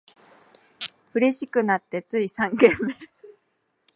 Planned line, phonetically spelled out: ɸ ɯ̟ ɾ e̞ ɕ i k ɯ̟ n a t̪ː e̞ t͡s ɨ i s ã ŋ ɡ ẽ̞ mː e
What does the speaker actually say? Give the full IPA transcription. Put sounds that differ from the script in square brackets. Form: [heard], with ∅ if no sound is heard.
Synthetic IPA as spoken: ɸ ɯ̟ ɾ e̞ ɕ i k ɯ̟ n a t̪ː e̞ t͡s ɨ i s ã ŋ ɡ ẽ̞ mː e